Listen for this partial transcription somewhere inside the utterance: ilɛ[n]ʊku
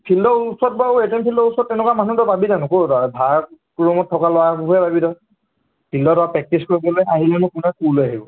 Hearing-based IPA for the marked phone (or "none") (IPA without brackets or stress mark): n